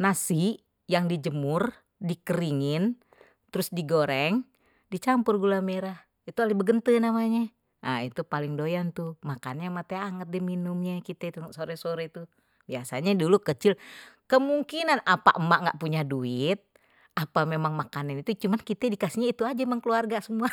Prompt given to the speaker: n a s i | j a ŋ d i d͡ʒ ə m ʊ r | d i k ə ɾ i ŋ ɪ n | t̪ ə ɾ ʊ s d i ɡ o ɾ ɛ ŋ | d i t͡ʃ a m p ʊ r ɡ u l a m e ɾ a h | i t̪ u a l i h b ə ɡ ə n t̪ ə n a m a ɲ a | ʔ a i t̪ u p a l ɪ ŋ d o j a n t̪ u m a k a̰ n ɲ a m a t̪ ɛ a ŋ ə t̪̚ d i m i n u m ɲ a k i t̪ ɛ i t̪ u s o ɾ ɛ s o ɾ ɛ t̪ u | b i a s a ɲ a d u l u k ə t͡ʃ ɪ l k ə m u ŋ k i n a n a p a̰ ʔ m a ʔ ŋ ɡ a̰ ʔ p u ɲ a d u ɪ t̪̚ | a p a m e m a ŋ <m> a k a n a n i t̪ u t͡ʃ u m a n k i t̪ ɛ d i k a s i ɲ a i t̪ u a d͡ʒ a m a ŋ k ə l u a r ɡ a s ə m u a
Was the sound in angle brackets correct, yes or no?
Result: yes